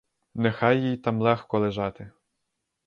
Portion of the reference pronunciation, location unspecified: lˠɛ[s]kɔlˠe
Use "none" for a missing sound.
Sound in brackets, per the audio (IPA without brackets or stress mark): x